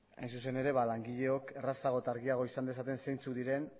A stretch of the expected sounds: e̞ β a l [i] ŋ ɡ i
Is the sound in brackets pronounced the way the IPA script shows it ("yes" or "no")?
no